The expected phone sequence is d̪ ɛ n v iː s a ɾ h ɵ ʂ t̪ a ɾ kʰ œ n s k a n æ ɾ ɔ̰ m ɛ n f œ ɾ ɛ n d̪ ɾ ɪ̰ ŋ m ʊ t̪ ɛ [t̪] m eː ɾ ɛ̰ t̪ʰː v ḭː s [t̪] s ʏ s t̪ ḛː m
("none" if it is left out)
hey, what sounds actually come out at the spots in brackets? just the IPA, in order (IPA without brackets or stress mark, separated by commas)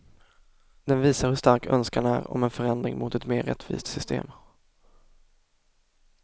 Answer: t̪, t̪